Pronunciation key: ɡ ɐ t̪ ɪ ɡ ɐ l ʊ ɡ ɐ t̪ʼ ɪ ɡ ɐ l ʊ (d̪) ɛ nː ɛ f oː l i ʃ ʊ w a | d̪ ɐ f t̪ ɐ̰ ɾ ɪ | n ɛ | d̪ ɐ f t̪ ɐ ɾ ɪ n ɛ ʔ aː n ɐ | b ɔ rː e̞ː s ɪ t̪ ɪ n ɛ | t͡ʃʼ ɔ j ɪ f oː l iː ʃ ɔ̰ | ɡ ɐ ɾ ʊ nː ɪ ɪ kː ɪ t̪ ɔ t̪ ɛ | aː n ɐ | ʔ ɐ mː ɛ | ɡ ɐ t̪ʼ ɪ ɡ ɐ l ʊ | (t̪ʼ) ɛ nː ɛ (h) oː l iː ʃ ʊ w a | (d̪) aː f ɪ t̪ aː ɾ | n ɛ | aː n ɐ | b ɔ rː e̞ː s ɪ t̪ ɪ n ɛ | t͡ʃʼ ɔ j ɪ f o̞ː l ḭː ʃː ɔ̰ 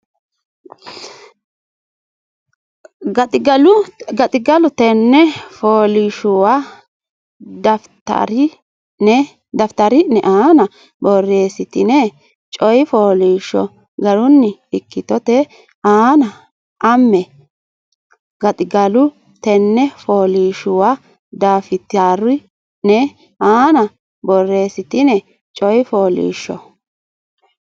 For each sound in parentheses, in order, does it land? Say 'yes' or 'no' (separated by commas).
no, no, no, yes